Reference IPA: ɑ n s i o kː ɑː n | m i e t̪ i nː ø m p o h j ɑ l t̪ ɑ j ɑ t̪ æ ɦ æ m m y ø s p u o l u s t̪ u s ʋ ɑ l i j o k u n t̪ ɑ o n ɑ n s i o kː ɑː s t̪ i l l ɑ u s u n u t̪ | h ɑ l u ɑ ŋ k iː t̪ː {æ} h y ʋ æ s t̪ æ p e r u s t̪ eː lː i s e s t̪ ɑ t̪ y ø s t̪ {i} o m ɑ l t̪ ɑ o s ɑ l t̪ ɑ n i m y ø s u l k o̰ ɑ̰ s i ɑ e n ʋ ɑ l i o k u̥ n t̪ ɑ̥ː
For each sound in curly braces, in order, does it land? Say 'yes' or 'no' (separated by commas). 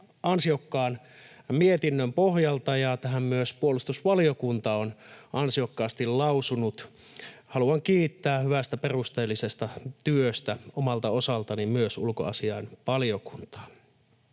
no, no